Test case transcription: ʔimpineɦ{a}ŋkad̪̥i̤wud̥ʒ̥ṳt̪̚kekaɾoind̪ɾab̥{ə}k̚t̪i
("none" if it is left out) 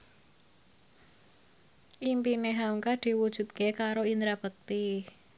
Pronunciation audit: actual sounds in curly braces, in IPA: a, ə

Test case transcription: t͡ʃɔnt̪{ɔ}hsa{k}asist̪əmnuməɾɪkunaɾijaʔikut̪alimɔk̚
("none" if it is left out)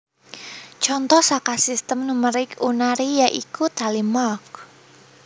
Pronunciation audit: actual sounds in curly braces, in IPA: ɔ, k

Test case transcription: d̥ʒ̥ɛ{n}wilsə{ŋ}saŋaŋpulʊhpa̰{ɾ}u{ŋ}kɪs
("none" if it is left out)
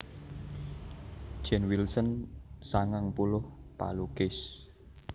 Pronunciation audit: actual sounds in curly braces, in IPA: n, n, l, none

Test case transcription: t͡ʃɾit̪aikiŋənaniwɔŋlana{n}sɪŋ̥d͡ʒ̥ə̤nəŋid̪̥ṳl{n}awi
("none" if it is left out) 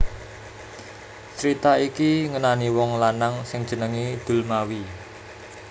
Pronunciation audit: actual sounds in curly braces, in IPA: ŋ, m

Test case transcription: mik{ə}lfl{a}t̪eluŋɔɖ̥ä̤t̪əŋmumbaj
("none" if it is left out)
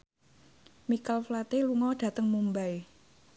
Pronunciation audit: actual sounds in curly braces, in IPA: a, a

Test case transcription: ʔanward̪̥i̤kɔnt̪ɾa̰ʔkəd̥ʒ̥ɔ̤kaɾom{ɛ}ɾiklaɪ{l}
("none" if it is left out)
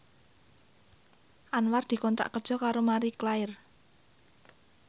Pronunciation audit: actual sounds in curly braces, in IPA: a, r

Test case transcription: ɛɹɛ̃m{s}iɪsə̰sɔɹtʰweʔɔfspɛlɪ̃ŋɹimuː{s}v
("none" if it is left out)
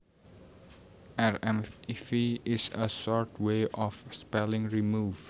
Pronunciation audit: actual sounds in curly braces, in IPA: f, none

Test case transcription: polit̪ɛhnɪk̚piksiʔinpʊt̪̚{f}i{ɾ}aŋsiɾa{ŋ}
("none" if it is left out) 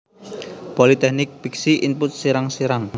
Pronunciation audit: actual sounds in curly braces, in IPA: s, ɾ, ŋ

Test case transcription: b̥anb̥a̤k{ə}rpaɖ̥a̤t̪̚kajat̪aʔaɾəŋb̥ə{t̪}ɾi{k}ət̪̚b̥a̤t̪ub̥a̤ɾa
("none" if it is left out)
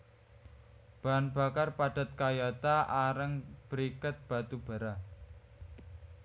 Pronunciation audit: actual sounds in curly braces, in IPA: a, none, k

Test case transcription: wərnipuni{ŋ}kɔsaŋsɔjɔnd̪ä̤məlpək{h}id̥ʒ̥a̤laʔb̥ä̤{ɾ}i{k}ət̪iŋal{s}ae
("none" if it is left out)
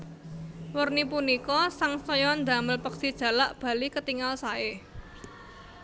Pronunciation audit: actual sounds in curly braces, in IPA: none, s, l, k, s

